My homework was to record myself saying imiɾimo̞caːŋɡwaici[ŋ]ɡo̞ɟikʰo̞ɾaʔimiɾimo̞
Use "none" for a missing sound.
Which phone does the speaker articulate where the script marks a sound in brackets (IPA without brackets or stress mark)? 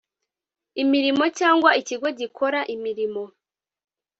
none